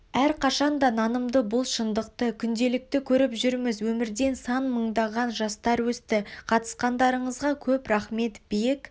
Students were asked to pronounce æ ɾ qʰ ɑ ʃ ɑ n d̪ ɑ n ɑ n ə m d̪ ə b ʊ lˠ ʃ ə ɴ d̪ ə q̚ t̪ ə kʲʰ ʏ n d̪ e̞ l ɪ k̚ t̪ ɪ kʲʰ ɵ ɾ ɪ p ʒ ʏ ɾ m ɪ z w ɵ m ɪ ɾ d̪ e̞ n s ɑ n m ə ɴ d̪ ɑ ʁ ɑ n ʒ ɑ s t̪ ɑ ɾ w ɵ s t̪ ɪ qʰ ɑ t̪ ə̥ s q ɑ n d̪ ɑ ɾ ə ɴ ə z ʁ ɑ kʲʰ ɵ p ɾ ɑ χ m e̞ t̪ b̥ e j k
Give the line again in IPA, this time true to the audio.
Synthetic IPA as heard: æ ɾ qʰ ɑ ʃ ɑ n d̪ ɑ n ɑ n ə m d̪ ə b ʊ lˠ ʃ ə n d̪ ə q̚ t̪ ə kʲʰ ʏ n d̪ e̞ l ɪ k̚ t̪ ɪ kʲʰ ɵ ɾ ɪ p ʒ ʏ ɾ m ɪ z w ɵ m ɪ ɾ d̪ e̞ n s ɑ n m ə ɴ d̪ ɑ ʁ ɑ n ʒ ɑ s t̪ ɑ ɾ w ɵ s t̪ ɪ qʰ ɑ t̪ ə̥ s q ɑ n d̪ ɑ ɾ ə ɴ ə z ʁ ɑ kʲʰ ɵ p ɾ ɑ χ m e̞ t̪ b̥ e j k